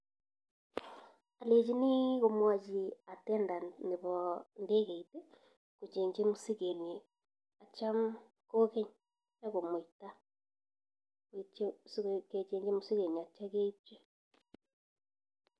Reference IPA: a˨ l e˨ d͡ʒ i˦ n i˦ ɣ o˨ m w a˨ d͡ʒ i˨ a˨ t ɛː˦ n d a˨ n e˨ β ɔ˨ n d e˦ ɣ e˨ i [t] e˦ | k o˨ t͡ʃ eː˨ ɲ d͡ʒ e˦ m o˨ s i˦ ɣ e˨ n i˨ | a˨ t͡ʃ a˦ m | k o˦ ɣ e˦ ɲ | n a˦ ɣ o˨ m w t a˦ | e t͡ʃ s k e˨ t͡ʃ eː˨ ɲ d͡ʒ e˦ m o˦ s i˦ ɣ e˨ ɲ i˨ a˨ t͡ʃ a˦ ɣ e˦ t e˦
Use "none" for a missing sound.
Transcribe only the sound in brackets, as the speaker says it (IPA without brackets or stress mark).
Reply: t